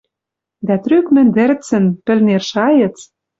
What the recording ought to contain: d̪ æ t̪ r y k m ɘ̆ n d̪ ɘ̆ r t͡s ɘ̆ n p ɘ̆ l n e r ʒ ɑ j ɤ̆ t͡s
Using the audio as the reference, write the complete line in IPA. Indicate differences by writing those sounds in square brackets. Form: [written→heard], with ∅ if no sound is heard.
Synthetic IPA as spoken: d̪ æ t̪ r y k m ɘ̆ n d̪ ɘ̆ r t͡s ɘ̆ n p ɘ̆ l n e r [ʒ→ʃ] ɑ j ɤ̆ t͡s